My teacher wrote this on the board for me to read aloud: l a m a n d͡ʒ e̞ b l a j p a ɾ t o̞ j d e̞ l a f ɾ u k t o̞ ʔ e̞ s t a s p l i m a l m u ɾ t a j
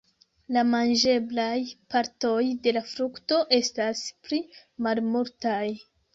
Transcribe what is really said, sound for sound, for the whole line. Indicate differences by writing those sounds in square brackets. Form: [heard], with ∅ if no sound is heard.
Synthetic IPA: l a m a n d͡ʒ e̞ b l a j p a ɾ t o̞ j d e̞ l a f ɾ u k t o̞ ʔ e̞ s t a s p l i m a l m u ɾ t a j